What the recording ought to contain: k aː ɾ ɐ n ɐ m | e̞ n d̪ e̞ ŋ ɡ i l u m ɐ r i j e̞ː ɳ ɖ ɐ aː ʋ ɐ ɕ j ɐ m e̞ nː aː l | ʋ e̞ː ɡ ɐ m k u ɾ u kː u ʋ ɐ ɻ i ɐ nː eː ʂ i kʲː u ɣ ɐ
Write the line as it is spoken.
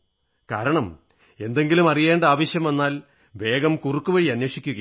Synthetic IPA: k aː ɾ ɐ ɳ ɐ m | e̞ n d̪ e̞ ŋ ɡ i l u m ɐ r i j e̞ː ɳ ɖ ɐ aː ʋ ɐ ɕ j ɐ m e̞ nː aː l | ʋ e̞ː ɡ ɐ m k u r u kː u ʋ ɐ ɻ i ɐ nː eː ʂ i kʲː u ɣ ɐ